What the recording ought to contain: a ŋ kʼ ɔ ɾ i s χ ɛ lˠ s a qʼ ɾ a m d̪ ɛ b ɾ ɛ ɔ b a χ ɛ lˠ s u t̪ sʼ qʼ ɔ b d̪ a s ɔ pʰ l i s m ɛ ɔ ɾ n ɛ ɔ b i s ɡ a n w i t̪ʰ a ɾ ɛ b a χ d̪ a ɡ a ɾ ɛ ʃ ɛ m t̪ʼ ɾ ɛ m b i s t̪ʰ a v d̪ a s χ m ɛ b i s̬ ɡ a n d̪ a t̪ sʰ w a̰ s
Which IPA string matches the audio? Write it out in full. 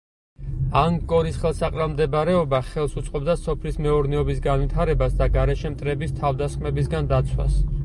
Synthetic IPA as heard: a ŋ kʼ ɔ ɾ i s χ ɛ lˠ s a qʼ ɾ a m d̪ ɛ b ɾ ɛ ɔ b a χ ɛ lˠ s u t̪ sʼ qʼ ɔ b d̪ a s ɔ pʰ l i s m ɛ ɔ ɾ n ɛ ɔ b i s ɡ a n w i t̪ʰ a ɾ ɛ b a s d̪ a ɡ a ɾ ɛ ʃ ɛ m t̪ʼ ɾ ɛ b i s t̪ʰ a v d̪ a s χ m ɛ b i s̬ ɡ a n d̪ a t̪ sʰ w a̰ s